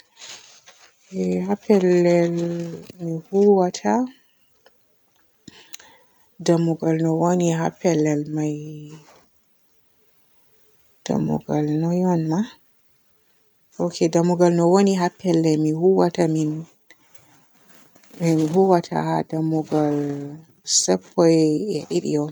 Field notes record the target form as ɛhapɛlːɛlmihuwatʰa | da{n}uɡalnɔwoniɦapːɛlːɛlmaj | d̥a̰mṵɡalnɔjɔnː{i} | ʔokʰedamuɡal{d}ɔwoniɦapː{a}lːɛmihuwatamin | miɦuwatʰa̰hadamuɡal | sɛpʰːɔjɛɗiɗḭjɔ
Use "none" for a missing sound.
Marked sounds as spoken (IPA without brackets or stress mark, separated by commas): m, a, n, ɛ